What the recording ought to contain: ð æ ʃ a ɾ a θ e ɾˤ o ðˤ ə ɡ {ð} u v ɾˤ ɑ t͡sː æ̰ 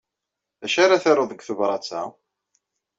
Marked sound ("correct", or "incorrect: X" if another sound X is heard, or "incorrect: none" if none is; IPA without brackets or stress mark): incorrect: θ